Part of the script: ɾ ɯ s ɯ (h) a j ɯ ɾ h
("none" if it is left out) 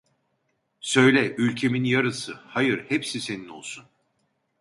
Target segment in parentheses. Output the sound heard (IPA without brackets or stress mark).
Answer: h